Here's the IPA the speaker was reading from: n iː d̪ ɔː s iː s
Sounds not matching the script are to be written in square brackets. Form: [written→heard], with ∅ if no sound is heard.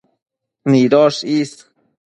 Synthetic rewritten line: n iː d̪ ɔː [s→ʃ] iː s